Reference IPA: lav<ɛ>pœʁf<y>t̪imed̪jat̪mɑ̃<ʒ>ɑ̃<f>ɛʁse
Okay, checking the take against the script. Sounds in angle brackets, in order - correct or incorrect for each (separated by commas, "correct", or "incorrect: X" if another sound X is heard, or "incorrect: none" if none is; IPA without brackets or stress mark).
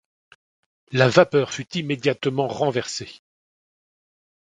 incorrect: a, correct, incorrect: ʁ, incorrect: v